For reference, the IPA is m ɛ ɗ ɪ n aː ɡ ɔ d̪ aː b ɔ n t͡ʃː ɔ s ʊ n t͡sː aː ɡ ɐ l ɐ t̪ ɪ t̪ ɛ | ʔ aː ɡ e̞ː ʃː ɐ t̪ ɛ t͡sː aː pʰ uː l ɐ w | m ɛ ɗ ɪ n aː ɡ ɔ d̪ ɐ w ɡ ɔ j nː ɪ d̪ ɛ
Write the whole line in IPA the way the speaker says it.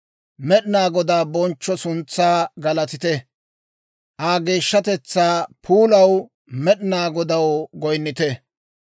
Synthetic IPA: m ɛ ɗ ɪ n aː ɡ ɔ d̪ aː b ɔ n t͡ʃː ɔ s ʊ n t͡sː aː ɡ ɐ l ɐ t̪ ɪ t̪ ɛ | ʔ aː ɡ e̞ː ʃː ɐ t̪ ɛ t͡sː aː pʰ uː l ɐ w | m ɛ ɗ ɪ n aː ɡ ɔ d̪ ɐ w ɡ ɔ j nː ɪ t̪ ɛ